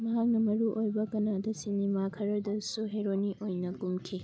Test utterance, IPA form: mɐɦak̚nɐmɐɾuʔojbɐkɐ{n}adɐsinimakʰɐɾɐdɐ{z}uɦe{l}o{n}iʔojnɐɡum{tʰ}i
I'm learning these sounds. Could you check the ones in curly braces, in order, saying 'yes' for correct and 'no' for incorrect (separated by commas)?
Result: yes, no, no, yes, no